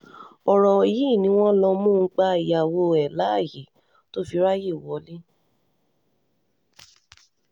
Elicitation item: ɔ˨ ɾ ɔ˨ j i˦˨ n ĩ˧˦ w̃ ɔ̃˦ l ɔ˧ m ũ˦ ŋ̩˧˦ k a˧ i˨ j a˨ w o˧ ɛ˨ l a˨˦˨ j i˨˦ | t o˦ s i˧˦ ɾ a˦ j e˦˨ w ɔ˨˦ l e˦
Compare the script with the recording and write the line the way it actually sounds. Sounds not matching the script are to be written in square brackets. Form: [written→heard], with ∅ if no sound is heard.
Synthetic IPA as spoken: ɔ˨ ɾ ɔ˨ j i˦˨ n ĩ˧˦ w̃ ɔ̃˦ l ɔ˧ m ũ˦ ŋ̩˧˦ [k→k͡p] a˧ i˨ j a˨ w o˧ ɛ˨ l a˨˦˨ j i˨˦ | t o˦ [s→f] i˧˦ ɾ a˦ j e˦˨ w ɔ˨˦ l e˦